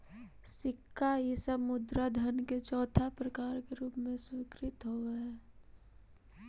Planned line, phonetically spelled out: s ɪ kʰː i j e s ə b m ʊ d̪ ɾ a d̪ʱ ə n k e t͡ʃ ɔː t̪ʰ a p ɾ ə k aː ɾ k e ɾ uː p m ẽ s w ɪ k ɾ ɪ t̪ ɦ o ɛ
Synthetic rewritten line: s ɪ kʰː a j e s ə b m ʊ d̪ ɾ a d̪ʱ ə n k e t͡ʃ ɔː t̪ʰ a p ɾ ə k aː ɾ k e ɾ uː p m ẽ s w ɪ k ɾ ɪ t̪ ɦ o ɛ

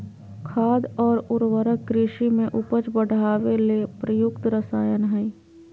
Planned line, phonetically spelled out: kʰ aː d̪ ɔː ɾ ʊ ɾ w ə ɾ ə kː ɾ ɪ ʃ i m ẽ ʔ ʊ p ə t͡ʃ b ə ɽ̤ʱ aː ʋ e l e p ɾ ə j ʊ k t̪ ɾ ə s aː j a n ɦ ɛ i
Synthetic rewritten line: kʰ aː d̪ ɔː ɾ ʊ ɾ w ə ɾ ə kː ɾ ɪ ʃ i m ẽ ʔ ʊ p ə t͡ʃ b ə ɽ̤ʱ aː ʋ e l e p ɾ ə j ʊ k t̪ ɾ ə s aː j ə n ɦ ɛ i

